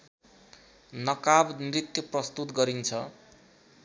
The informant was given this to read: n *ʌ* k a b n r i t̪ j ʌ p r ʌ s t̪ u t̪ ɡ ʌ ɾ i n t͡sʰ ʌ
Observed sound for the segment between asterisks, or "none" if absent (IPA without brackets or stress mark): ʌ